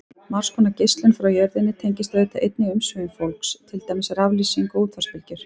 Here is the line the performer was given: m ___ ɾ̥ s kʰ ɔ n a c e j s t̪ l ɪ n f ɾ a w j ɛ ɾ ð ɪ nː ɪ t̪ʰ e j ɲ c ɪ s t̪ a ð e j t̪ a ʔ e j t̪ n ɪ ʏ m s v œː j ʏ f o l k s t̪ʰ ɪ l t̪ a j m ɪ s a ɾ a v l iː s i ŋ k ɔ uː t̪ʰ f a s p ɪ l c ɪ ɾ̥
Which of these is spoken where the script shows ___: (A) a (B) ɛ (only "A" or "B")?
A